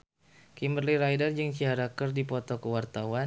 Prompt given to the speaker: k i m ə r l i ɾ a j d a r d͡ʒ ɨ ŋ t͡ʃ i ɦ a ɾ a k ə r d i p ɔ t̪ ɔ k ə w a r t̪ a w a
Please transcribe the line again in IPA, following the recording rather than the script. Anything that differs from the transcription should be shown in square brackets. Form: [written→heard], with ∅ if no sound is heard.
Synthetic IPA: k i m ə r l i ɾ a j d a r d͡ʒ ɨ ŋ t͡ʃ i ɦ a ɾ a k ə r d i p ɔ t̪ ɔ k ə w a r t̪ a w a

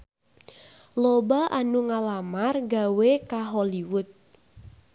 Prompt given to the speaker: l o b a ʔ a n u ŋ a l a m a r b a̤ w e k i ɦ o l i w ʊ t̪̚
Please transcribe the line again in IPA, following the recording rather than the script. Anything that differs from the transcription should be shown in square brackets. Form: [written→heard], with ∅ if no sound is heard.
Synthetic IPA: l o b a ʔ a n u ŋ a l a m a r [b→ɡ] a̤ w e k [i→a] ɦ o l i w ʊ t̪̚

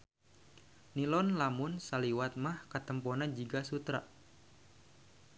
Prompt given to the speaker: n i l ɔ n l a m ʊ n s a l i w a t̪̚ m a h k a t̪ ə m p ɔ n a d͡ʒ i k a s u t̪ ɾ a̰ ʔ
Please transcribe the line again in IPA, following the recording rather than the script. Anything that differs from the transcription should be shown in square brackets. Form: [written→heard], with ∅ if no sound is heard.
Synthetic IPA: n i l ɔ n l a m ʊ n s a l i w a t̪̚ m a h k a t̪ ə m p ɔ n a d͡ʒ i [k→ɡ] a s u t̪ ɾ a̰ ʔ

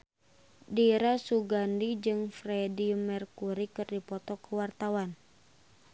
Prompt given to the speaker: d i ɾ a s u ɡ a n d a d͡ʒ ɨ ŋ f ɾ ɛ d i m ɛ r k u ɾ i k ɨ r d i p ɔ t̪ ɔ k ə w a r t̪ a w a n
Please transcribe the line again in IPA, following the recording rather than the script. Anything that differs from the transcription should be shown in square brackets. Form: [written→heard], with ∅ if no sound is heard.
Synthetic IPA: d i ɾ a s u ɡ a n d [a→i] d͡ʒ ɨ ŋ f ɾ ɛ d i m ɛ r k u ɾ i k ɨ r d i p ɔ t̪ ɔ k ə w a r t̪ a w a n

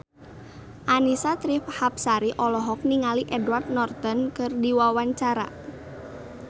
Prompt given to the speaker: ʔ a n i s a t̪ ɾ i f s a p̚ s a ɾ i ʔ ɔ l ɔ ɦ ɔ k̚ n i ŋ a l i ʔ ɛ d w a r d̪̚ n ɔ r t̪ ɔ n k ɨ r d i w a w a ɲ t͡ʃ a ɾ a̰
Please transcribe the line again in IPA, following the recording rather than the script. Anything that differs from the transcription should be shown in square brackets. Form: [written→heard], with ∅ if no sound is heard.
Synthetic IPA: ʔ a n i s a t̪ ɾ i f [s→h] a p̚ s a ɾ i ʔ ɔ l ɔ ɦ ɔ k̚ n i ŋ a l i ʔ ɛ d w a r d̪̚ n ɔ r t̪ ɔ n k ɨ r d i w a w a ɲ t͡ʃ a ɾ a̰

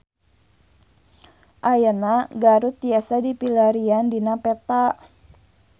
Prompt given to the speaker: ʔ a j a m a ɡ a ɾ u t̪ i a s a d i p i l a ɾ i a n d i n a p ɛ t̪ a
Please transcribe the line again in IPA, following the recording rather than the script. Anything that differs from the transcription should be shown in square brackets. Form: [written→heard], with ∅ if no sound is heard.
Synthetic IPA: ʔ a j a [m→n] a ɡ a ɾ u t̪ i a s a d i p i l a ɾ i a n d i n a p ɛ t̪ a

